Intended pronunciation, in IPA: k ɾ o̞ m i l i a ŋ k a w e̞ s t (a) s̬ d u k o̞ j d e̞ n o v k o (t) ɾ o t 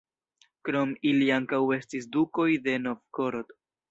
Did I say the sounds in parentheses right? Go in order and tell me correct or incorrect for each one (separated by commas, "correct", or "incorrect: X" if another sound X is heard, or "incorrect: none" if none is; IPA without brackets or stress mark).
incorrect: i, incorrect: none